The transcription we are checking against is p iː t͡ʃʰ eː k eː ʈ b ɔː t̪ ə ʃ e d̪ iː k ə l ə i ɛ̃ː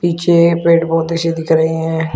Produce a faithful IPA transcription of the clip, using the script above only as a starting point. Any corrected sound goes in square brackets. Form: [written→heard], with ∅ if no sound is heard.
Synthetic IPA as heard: p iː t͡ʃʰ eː [k→p] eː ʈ b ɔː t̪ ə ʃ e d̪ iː k ə [l→ɾ] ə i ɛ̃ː

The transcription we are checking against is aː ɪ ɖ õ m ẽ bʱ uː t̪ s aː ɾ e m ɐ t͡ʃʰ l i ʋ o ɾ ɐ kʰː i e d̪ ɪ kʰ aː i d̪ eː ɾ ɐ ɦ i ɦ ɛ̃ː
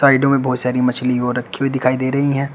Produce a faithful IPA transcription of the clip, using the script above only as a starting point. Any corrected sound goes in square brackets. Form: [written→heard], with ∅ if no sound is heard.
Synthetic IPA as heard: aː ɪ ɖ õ m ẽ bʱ [uː→ɔː] t̪ s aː ɾ [e→i] m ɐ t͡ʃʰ l i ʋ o ɾ ɐ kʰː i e d̪ ɪ kʰ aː i d̪ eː ɾ ɐ ɦ i ɦ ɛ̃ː

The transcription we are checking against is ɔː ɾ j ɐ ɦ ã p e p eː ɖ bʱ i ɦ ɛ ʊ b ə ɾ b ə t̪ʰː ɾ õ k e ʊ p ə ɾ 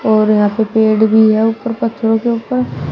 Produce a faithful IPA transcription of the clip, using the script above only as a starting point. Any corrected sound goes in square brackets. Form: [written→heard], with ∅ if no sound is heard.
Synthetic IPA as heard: ɔː ɾ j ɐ ɦ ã p e p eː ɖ bʱ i ɦ ɛ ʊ [b→p] ə ɾ [b→p] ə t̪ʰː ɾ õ k e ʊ p ə ɾ

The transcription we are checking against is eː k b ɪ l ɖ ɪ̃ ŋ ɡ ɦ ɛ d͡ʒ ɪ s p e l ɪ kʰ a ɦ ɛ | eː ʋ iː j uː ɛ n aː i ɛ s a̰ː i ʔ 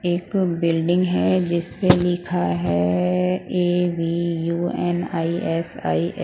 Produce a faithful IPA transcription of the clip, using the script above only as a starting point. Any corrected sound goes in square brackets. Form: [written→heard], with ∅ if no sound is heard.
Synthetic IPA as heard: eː k b ɪ l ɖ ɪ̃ ŋ ɡ ɦ ɛ d͡ʒ ɪ s p e l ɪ kʰ a ɦ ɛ | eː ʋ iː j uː ɛ n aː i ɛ s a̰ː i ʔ

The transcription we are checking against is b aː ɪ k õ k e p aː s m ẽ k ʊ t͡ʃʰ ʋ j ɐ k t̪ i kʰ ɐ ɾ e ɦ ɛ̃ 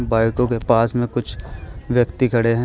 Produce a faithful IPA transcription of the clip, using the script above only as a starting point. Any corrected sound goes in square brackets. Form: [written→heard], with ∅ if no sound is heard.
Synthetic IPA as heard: b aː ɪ k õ k e p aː s m ẽ k ʊ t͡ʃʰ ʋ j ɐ k t̪ i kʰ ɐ [ɾ→ɽ] e ɦ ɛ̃

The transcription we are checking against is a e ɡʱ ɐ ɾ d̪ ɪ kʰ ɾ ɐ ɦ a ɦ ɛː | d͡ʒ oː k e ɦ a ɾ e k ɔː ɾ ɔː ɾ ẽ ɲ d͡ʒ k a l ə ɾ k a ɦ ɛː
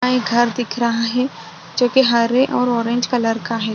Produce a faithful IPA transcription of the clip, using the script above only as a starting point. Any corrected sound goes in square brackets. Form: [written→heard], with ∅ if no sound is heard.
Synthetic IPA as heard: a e ɡʱ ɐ ɾ d̪ ɪ kʰ ɾ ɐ ɦ a ɦ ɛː | d͡ʒ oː k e ɦ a ɾ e [k→ʔ] ɔː ɾ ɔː ɾ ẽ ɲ d͡ʒ k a l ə ɾ k a ɦ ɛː

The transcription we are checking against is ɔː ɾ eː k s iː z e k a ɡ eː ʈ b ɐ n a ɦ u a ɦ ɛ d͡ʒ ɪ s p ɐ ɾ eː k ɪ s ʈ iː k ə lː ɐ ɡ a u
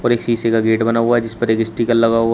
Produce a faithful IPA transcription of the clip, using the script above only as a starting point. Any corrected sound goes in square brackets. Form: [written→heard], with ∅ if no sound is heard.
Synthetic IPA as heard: ɔː ɾ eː k s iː [z→s] e k a ɡ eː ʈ b ɐ n a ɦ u a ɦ ɛ d͡ʒ ɪ s p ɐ ɾ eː k ɪ s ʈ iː k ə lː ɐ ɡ a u

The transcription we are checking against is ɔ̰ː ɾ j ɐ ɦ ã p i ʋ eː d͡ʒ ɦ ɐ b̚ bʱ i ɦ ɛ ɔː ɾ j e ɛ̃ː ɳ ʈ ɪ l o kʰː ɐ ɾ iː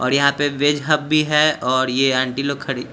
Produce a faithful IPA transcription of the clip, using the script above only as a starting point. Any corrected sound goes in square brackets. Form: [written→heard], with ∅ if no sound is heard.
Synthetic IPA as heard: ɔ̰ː ɾ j ɐ ɦ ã p [i→e] ʋ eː d͡ʒ ɦ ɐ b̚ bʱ i ɦ ɛ ɔː ɾ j e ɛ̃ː ɳ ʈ [ɪ→i] l o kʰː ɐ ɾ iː

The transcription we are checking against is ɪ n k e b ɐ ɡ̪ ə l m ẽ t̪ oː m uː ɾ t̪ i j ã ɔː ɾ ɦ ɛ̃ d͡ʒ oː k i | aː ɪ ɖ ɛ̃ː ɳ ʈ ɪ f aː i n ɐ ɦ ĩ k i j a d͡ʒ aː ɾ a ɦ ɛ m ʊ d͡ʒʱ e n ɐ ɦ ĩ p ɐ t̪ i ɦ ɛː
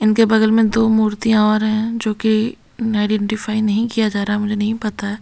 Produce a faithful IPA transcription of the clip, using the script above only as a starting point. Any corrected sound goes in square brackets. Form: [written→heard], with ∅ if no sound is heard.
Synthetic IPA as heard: ɪ n k e b ɐ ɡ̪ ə l m ẽ [t̪→d̪] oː m uː ɾ t̪ i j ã ɔː ɾ ɦ ɛ̃ d͡ʒ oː k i | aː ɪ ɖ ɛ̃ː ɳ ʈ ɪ f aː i n ɐ ɦ ĩ k i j a d͡ʒ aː ɾ a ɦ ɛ m ʊ d͡ʒʱ e n ɐ ɦ ĩ p ɐ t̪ [i→a] ɦ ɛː

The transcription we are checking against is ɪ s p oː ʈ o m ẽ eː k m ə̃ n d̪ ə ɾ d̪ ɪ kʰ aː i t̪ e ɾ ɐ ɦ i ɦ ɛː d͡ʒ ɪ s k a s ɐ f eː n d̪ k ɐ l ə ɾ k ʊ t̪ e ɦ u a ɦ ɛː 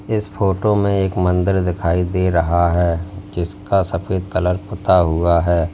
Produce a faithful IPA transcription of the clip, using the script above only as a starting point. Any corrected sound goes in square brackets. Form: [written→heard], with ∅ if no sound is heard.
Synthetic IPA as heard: ɪ s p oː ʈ o m ẽ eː k m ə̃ n d̪ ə ɾ d̪ ɪ kʰ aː i [t̪→d̪] e ɾ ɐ ɦ [i→a] ɦ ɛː d͡ʒ ɪ s k a s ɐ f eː [n→∅] d̪ k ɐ l ə ɾ [k→p] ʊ t̪ [e→a] ɦ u a ɦ ɛː

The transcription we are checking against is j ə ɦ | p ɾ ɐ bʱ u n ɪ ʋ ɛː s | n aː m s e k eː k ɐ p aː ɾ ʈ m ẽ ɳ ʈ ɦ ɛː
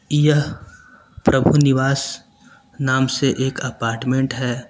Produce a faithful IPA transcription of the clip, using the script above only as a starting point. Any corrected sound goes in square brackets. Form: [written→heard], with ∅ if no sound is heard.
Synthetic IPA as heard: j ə ɦ | p ɾ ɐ bʱ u n ɪ ʋ [ɛː→aː] s | n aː m s e [k→ʔ] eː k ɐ p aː ɾ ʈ m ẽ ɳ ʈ ɦ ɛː

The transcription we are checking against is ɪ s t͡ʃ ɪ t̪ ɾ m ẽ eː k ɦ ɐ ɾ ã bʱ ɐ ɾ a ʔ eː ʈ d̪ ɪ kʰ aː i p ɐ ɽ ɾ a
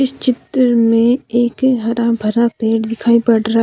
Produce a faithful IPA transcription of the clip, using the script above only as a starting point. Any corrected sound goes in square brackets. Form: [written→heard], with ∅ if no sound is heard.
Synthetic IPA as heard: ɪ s t͡ʃ ɪ t̪ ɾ m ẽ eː k ɦ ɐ ɾ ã bʱ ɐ ɾ a [ʔ→p] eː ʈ d̪ ɪ kʰ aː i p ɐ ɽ ɾ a

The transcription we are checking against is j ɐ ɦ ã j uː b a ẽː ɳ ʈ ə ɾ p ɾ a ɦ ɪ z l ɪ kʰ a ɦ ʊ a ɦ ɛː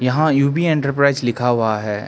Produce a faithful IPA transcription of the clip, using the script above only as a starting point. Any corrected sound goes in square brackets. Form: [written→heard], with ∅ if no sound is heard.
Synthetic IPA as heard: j ɐ ɦ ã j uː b [a→i] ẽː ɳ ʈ ə ɾ p ɾ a [ɦ→∅] ɪ z l ɪ kʰ a ɦ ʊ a ɦ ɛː

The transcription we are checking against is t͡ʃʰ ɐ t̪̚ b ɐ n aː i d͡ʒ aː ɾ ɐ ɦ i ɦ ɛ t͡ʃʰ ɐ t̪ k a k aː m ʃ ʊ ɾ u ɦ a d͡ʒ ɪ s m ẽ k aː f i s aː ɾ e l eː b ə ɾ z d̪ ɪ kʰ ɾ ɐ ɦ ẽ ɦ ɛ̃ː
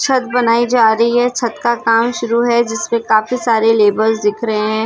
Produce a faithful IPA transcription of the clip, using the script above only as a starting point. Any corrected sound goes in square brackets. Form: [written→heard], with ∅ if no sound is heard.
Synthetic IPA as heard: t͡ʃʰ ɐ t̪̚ b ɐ n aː i d͡ʒ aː ɾ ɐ ɦ i ɦ ɛ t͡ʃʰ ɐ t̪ k a k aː m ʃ ʊ ɾ u ɦ [a→ɛ] d͡ʒ ɪ s m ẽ k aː f i s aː ɾ e l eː b ə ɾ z d̪ ɪ kʰ ɾ ɐ ɦ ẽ ɦ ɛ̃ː

